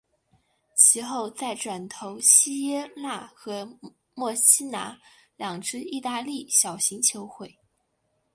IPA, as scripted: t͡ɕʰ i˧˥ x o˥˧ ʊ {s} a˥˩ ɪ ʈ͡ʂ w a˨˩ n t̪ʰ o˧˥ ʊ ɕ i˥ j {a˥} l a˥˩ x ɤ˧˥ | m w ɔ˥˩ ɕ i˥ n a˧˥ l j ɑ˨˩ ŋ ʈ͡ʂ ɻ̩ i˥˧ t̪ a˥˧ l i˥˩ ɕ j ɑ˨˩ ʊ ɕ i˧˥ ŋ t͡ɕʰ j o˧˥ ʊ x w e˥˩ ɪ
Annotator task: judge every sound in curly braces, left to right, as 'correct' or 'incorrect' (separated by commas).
incorrect, incorrect